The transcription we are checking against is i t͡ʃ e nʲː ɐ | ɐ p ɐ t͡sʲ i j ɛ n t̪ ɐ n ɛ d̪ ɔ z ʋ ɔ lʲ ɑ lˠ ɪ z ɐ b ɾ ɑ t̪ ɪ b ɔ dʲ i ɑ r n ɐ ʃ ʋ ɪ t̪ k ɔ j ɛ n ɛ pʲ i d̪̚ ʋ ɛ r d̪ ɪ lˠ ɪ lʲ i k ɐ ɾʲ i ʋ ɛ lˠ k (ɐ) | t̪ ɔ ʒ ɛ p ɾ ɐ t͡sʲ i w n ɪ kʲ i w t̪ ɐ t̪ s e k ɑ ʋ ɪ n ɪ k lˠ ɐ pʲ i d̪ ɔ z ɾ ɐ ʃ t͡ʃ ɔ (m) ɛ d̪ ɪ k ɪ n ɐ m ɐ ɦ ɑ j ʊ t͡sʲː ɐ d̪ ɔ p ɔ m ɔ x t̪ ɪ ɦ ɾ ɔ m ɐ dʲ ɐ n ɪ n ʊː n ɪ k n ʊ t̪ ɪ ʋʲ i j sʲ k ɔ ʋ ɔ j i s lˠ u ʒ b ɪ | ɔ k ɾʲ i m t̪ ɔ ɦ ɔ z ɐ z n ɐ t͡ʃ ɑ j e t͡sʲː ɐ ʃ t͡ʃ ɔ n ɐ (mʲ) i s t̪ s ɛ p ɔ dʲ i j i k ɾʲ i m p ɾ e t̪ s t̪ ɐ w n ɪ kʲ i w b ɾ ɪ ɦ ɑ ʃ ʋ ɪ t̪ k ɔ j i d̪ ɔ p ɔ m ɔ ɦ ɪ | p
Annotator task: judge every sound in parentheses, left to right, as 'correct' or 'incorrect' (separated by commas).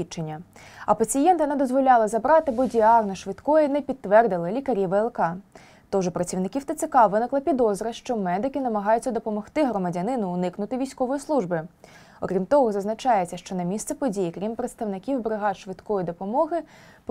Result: incorrect, correct, correct